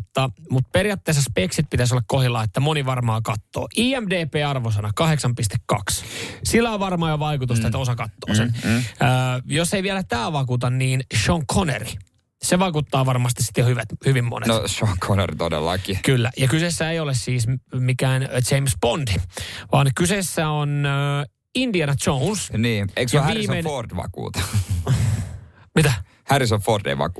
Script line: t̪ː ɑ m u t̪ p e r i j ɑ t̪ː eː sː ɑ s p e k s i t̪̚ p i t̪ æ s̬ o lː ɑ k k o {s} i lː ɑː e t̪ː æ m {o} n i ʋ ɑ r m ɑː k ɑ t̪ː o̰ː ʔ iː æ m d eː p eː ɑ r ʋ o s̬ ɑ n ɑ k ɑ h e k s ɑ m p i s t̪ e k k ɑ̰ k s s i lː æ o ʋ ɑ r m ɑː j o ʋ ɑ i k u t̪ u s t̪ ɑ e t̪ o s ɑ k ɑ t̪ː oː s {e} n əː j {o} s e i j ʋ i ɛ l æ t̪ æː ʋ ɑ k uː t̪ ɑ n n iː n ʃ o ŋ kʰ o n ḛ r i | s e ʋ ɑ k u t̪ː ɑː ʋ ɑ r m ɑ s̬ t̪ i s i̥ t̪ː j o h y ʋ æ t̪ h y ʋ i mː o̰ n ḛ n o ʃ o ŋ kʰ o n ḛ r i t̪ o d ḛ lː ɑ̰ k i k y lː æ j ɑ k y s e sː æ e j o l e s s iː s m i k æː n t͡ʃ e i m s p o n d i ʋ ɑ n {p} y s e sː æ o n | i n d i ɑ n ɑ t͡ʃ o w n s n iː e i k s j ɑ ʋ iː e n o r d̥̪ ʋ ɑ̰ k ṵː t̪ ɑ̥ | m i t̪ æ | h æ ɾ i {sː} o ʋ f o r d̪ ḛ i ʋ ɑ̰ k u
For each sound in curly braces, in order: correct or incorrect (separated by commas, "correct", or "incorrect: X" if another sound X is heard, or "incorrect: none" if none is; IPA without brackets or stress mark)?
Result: incorrect: h, correct, correct, correct, incorrect: k, incorrect: s